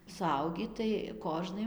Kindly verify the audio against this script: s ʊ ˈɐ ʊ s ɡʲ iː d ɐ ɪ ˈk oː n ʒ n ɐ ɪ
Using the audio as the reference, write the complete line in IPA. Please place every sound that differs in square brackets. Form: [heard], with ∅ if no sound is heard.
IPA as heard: s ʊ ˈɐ ʊ [∅] ɡʲ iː [t] ɐ ɪ ˈk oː [∅] ʒ n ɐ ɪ